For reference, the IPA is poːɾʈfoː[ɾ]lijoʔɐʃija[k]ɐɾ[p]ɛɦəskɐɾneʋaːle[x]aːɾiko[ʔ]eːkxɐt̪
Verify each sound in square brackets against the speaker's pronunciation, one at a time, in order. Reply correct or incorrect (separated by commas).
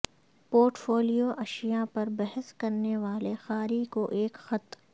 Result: incorrect, incorrect, incorrect, correct, correct